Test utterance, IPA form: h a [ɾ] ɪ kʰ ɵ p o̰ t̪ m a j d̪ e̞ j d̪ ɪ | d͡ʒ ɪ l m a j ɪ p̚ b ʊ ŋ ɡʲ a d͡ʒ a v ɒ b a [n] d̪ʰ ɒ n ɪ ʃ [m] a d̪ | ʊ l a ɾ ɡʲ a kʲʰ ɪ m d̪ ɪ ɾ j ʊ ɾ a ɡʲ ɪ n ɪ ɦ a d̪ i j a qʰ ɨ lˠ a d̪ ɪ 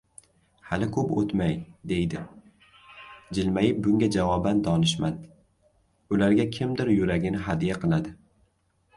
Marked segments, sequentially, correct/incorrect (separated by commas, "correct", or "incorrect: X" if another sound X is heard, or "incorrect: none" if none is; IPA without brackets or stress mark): incorrect: l, correct, correct